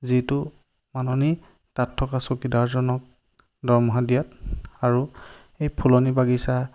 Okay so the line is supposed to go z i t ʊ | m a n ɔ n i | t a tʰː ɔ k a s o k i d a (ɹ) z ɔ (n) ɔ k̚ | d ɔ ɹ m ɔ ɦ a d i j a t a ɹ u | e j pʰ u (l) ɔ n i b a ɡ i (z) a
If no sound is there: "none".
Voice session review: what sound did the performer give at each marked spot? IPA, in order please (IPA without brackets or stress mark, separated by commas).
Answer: ɹ, n, l, s